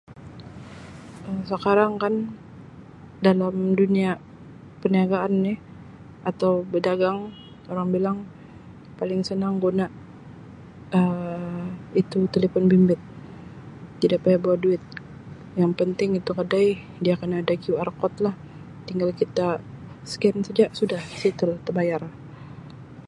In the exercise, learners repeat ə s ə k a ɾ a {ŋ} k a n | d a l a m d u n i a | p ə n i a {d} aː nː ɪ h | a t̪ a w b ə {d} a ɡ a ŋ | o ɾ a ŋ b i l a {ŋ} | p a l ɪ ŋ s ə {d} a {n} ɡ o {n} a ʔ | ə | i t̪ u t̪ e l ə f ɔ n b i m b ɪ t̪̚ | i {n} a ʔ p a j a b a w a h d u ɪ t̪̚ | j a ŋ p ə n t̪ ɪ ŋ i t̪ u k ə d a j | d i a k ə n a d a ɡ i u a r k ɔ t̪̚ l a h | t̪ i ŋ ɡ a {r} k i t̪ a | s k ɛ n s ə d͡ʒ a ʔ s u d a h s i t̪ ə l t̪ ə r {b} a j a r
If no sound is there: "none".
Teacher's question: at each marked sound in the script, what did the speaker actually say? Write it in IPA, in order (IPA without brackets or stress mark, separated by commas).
ŋ, ɡ, d, ŋ, n, ŋ, n, d, l, b